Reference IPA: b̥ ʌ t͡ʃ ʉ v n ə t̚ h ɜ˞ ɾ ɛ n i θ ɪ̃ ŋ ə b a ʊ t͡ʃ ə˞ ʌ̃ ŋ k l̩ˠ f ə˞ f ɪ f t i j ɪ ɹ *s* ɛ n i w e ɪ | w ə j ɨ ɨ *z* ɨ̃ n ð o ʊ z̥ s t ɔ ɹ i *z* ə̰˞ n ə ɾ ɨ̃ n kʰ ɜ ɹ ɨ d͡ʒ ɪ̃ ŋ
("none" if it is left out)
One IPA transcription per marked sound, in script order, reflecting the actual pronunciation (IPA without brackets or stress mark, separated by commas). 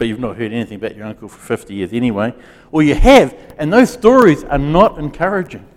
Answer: z, v, z